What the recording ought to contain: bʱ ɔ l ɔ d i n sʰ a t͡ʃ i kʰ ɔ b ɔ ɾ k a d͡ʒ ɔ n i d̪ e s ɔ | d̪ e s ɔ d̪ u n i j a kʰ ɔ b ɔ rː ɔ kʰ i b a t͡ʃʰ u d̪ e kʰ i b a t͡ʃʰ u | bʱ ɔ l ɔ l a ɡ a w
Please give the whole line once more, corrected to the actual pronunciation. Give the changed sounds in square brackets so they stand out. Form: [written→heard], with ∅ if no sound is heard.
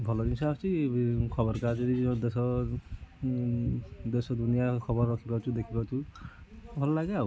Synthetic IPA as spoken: bʱ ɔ l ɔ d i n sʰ a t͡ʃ i kʰ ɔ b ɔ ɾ k a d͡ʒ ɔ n i d̪ e s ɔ | d̪ e s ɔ d̪ u n i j a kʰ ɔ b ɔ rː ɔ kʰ i b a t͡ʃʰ u d̪ e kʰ i b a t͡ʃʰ u | bʱ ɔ l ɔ l a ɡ a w